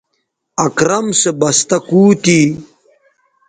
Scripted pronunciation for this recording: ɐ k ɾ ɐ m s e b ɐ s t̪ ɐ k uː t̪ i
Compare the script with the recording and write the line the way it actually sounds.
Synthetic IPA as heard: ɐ k ɾ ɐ m s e b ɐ s t̪ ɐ k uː t̪ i